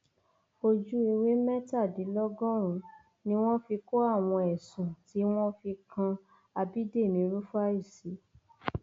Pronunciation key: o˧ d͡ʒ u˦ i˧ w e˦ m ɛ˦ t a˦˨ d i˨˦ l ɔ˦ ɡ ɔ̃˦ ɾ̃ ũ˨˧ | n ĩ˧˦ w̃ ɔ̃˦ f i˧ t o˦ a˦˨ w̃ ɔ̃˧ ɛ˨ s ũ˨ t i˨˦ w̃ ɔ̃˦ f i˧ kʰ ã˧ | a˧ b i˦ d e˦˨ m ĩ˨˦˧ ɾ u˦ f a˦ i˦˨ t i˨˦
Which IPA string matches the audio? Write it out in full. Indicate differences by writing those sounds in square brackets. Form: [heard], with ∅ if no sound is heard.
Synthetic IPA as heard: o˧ d͡ʒ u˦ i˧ w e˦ m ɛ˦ t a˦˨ d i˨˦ l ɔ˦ ɡ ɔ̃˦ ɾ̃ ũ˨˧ | n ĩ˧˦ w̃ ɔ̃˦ f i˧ [k] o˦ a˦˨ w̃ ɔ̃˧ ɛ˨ s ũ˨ t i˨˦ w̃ ɔ̃˦ f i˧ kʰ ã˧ | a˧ b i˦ d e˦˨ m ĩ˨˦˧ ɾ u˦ f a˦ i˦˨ [s] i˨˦